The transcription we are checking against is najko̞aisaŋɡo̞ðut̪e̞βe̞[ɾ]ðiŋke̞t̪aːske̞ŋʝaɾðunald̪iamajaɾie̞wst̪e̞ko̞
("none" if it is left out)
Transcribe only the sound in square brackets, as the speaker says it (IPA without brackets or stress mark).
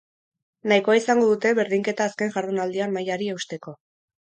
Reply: ɾ